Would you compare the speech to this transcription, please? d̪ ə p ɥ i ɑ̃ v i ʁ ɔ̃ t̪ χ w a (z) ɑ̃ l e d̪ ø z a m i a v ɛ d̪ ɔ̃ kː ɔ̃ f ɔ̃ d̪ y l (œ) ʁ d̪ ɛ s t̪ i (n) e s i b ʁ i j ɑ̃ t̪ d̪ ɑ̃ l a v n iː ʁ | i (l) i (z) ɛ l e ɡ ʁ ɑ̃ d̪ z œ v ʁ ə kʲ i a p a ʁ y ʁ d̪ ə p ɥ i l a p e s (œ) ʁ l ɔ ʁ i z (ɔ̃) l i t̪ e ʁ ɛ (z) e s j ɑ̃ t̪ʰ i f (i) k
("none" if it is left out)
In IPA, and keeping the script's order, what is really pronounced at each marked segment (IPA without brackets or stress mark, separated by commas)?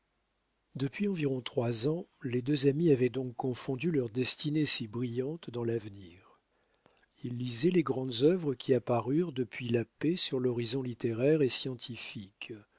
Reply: z, œ, n, lː, z, y, ɔ̃, ʁ, i